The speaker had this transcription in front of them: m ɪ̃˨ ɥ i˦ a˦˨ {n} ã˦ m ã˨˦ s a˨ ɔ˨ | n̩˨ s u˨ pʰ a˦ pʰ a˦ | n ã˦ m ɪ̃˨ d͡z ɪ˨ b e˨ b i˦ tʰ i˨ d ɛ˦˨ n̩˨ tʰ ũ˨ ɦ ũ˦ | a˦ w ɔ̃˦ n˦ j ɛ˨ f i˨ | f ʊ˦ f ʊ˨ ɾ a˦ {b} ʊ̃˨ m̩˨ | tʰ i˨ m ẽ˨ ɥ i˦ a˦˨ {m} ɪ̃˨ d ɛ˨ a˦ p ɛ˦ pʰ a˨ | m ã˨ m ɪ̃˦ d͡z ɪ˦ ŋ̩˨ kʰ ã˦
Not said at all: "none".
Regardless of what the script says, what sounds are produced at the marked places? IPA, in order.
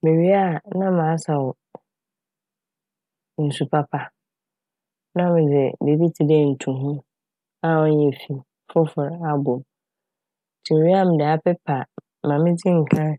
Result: n, b, m

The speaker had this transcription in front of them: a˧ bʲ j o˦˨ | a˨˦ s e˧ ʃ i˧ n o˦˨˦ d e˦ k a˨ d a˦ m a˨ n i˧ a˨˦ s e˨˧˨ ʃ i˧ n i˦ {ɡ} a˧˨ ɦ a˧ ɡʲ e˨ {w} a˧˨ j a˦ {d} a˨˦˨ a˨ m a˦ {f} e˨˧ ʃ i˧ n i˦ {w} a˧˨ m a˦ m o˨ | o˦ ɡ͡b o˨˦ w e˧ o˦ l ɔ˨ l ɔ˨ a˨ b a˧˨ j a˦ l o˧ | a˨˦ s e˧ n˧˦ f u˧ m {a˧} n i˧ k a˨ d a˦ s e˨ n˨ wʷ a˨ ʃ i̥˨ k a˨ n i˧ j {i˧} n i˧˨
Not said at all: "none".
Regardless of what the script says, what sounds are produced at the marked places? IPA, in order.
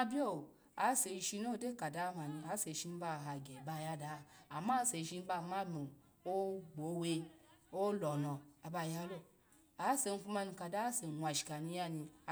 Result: b, b, d, s, b, a˧, a˧

